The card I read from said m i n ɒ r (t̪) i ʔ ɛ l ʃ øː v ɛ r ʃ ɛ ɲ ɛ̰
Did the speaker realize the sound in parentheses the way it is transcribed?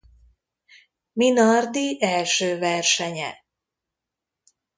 no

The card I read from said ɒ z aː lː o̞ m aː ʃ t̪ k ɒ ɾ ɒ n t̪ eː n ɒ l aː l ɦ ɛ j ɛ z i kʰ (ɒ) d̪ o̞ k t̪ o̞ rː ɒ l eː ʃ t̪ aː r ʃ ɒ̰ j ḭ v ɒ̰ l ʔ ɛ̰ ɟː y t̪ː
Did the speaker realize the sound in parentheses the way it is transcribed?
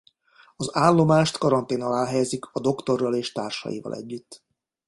yes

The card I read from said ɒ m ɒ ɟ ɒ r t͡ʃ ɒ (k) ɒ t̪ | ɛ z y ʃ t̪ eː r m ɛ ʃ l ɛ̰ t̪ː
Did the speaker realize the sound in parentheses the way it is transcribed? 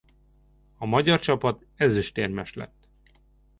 no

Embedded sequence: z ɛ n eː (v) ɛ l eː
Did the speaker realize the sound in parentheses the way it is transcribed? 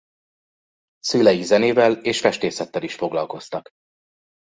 yes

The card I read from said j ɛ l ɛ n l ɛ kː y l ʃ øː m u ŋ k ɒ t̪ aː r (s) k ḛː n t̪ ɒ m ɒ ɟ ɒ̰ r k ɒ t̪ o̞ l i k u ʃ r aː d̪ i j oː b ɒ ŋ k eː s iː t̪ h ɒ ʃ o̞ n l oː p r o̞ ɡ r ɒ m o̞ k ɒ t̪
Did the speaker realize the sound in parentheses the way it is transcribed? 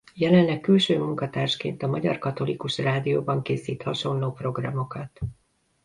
no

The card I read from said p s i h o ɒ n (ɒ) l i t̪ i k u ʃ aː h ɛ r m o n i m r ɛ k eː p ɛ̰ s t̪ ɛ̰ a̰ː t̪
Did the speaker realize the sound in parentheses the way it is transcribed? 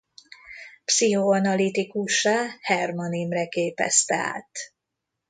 yes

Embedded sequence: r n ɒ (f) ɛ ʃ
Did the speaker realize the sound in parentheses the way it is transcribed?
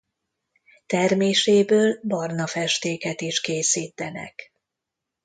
yes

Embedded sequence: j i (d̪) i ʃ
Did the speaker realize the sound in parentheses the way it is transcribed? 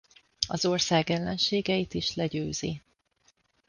no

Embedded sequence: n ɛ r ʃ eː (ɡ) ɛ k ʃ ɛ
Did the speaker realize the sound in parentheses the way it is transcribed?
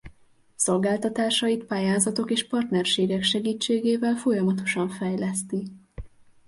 yes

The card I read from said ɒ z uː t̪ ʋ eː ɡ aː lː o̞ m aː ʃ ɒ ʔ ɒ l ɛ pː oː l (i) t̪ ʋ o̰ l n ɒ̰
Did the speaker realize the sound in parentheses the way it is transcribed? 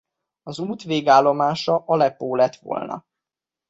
no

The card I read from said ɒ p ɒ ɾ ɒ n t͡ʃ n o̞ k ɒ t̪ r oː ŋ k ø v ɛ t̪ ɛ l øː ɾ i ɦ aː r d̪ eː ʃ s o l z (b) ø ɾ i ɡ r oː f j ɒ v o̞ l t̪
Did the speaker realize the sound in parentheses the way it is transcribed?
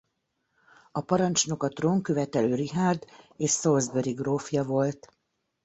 yes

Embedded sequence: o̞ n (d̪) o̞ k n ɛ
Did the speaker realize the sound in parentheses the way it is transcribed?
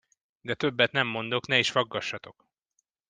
yes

